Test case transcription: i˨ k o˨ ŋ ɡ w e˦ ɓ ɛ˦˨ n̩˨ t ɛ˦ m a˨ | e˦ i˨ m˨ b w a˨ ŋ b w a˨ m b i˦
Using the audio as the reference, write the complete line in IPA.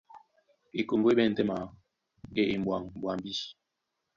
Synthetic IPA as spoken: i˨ k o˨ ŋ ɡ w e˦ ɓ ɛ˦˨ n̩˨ t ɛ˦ m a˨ | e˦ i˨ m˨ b w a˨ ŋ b w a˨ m b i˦